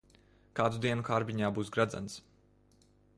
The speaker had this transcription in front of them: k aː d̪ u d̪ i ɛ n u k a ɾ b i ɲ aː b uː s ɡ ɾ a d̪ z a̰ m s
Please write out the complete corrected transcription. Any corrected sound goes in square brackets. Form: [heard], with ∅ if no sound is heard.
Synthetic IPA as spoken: k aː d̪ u d̪ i ɛ n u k a ɾ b i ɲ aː b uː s ɡ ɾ a d̪ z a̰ [n] s